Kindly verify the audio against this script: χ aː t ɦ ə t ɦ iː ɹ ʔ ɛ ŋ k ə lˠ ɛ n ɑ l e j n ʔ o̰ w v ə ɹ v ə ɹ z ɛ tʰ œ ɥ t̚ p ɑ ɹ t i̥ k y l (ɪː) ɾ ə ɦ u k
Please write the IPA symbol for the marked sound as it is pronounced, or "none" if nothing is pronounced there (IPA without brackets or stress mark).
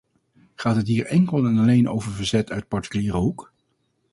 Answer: iː